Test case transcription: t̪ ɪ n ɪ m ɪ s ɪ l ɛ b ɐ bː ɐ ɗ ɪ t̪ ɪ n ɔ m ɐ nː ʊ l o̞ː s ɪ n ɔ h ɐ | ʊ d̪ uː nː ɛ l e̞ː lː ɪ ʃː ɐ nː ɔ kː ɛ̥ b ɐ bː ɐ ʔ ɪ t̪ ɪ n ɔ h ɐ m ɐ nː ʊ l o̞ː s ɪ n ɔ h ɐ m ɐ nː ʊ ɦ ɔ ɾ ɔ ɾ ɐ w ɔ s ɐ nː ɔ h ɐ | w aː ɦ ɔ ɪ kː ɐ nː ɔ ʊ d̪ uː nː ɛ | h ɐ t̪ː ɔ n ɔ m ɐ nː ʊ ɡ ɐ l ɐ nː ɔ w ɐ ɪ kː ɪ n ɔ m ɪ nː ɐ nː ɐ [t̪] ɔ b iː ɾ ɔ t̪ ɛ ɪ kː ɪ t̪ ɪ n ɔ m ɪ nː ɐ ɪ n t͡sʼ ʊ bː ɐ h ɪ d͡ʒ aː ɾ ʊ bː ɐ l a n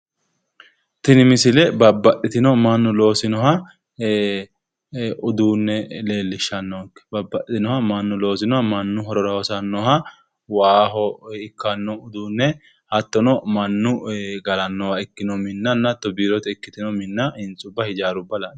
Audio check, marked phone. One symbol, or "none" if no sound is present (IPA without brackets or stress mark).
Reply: t̪